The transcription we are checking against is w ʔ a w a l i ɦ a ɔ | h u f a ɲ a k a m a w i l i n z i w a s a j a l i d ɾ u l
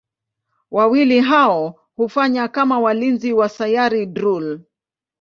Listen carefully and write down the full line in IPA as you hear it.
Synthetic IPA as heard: w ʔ a w i l i ɦ a ɔ | h u f a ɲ a k a m a w a l i n z i w a s a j a ɾ i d ɾ u l